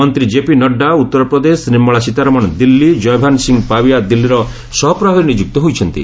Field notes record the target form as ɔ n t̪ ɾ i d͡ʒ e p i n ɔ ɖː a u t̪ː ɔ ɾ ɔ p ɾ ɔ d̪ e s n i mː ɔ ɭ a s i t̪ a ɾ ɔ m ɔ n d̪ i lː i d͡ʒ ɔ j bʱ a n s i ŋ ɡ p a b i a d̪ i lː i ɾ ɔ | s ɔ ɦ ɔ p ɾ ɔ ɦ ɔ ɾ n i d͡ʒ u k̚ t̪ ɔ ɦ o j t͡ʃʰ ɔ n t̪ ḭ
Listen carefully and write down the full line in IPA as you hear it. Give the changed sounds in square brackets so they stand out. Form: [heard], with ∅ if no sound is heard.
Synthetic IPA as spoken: ɔ n t̪ ɾ i d͡ʒ e p i n ɔ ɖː a u t̪ː ɔ ɾ ɔ p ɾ ɔ d̪ e s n i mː ɔ ɭ a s i t̪ a ɾ ɔ m ɔ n d̪ i lː i d͡ʒ ɔ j bʱ a n s i ŋ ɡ p a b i a d̪ i lː i ɾ ɔ | s ɔ ɦ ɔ p ɾ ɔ ɦ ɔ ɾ n i d͡ʒ u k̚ t̪ ɔ ɦ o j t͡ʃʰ ɔ n t̪ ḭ